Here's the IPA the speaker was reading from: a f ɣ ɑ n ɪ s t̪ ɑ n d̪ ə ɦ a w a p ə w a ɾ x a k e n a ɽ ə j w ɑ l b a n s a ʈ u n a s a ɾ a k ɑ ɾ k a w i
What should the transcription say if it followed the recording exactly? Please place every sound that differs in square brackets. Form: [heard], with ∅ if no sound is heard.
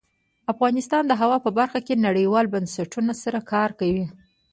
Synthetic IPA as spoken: a f ɣ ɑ n ɪ s t̪ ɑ n d̪ ə ɦ a w [ɑ] p ə [b] a ɾ x a k e n a ɽ ə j w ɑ l b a n s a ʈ u n a s a ɾ a k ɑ ɾ k a w i